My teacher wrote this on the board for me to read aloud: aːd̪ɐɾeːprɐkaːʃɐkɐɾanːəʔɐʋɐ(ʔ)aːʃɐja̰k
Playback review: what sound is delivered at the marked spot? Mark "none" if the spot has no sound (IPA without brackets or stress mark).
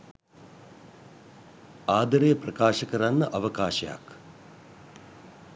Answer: k